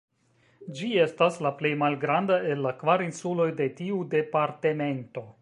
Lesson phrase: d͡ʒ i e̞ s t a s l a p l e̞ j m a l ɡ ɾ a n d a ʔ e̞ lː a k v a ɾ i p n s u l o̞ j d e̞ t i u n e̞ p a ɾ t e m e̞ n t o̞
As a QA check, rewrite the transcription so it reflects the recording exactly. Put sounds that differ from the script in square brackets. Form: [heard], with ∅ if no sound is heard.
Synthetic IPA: d͡ʒ i e̞ s t a s l a p l e̞ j m a l ɡ ɾ a n d a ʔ e̞ lː a k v a ɾ i [∅] n s u l o̞ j d e̞ t i u [d] e̞ p a ɾ t e m e̞ n t o̞